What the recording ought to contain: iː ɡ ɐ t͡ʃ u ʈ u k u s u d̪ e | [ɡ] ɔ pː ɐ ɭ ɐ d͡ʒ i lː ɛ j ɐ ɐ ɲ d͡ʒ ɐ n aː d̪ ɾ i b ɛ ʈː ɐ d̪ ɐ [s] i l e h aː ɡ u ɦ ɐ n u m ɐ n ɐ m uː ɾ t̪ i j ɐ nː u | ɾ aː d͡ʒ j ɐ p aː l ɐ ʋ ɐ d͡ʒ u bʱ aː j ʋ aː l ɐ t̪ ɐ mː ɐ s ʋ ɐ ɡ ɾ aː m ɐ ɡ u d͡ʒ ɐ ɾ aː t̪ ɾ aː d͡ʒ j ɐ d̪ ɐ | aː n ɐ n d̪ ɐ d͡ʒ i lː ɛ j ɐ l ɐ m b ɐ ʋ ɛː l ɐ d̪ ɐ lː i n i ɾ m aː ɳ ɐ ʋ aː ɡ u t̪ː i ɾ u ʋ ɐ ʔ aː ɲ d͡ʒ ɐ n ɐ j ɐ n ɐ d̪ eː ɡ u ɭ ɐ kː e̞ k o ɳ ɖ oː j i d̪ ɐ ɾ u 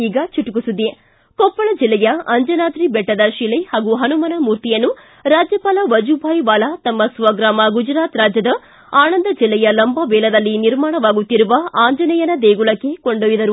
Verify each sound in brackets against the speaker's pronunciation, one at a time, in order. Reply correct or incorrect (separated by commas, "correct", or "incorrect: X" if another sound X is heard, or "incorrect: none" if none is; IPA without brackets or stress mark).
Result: incorrect: k, incorrect: ʃ